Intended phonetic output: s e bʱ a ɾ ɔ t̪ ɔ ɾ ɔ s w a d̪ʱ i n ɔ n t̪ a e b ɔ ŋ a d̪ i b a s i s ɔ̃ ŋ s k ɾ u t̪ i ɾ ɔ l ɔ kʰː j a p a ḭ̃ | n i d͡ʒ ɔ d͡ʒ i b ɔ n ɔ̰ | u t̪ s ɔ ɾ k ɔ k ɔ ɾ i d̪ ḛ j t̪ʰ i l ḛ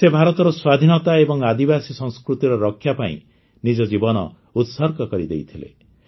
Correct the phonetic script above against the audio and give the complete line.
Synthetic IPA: s e bʱ a ɾ ɔ t̪ ɔ ɾ ɔ s w a d̪ʱ i n ɔ t̪ a e b ɔ ŋ a d̪ i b a s i s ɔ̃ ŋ s k ɾ u t̪ i ɾ ɔ ɾ ɔ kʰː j a p a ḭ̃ | n i d͡ʒ ɔ d͡ʒ i b ɔ n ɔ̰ | u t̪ s ɔ ɾ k ɔ k ɔ ɾ i d̪ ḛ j t̪ʰ i l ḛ

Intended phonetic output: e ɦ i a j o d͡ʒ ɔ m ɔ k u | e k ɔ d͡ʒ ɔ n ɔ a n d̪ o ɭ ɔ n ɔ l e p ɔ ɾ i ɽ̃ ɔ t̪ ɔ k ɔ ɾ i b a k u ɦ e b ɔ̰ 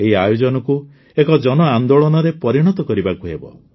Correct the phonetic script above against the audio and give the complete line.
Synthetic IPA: e ɦ i a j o d͡ʒ ɔ n ɔ k u | e k ɔ d͡ʒ ɔ n ɔ a n d̪ o ɭ ɔ n ɔ ɾ e p ɔ ɾ i ɽ̃ ɔ t̪ ɔ k ɔ ɾ i b a k u ɦ e b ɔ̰

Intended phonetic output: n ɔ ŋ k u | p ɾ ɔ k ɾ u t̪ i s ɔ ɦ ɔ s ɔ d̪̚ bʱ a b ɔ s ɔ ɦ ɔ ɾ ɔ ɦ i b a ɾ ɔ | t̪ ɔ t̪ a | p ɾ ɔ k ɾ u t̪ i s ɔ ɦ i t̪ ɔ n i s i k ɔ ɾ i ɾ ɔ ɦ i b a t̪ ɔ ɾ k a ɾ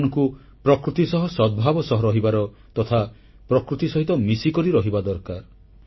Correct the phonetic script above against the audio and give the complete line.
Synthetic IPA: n ɔ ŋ k u | p ɾ ɔ k ɾ u t̪ i s ɔ ɦ ɔ s ɔ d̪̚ bʱ a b ɔ s ɔ ɦ ɔ ɾ ɔ ɦ i b a ɾ ɔ | t̪ ɔ t̪ʰ a | p ɾ ɔ k ɾ u t̪ i s ɔ ɦ i t̪ ɔ m i s i k ɔ ɾ i ɾ ɔ ɦ i b a d̪ ɔ ɾ k a ɾ

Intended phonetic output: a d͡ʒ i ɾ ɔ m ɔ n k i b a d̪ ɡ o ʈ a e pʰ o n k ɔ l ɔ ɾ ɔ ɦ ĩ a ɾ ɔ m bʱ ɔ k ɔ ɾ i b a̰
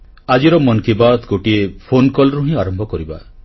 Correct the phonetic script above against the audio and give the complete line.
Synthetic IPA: a d͡ʒ i ɾ ɔ m ɔ n k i b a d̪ ɡ o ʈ i e pʰ o n k ɔ l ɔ ɾ u ɦ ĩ a ɾ ɔ m bʱ ɔ k ɔ ɾ i b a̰

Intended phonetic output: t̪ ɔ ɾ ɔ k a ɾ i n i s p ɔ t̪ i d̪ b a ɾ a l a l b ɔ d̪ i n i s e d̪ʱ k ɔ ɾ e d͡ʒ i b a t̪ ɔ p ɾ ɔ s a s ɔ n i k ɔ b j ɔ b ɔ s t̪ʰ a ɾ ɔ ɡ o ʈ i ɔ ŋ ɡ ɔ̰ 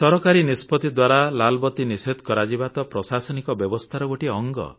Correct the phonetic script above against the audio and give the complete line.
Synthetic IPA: t̪ ɔ ɾ ɔ k a ɾ i n i s p ɔ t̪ i d̪ w a ɾ a l a l b ɔ t̪ i n i s e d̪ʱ k ɔ ɾ a d͡ʒ i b a t̪ ɔ p ɾ ɔ s a s ɔ n i k ɔ b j ɔ b ɔ s t̪ʰ a ɾ ɔ ɡ o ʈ i ɔ ŋ ɡ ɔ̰

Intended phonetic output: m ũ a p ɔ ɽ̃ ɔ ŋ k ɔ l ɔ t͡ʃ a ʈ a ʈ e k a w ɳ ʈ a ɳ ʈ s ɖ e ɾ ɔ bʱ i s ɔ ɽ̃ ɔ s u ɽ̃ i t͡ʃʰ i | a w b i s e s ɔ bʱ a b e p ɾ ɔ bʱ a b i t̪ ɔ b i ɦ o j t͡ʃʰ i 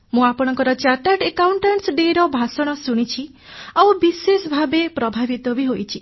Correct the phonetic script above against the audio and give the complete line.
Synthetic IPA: m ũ a p ɔ ɽ̃ ɔ ŋ k ɔ ɾ ɔ t͡ʃ a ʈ a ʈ e k a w ɳ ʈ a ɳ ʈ s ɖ e ɾ ɔ bʱ a s ɔ ɽ̃ ɔ s u ɽ̃ i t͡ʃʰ i | a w b i s e s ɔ bʱ a b e p ɾ ɔ bʱ a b i t̪ ɔ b i ɦ o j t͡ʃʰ i

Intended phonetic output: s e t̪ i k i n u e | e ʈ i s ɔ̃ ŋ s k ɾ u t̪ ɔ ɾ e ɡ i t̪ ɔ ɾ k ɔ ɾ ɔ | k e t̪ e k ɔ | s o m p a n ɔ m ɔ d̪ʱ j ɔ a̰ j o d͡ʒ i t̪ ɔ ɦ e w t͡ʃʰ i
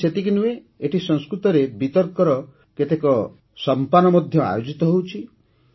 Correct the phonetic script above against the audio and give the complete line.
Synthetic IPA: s e t̪ i k i n u e | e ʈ i s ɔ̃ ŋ s k ɾ u t̪ ɔ ɾ e b i t̪ ɔ ɾ k ɔ ɾ ɔ | k e t̪ e k ɔ | s ɔ m p a n ɔ m ɔ d̪ʱ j ɔ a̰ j o d͡ʒ i t̪ ɔ ɦ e w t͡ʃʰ i

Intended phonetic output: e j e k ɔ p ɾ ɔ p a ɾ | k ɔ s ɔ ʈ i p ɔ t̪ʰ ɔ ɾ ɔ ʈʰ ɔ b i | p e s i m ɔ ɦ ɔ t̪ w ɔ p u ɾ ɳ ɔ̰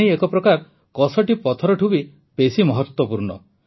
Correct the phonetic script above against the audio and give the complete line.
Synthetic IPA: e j e k ɔ p ɾ ɔ k a ɾ | k ɔ s ɔ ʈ i p ɔ t̪ʰ ɔ ɾ ɔ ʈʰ u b i | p e s i m ɔ ɦ ɔ t̪ w ɔ p u ɾ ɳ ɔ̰

